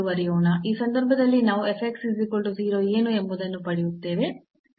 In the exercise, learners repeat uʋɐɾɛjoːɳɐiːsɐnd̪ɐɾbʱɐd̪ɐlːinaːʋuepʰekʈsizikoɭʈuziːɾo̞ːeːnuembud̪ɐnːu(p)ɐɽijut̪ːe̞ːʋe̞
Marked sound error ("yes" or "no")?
no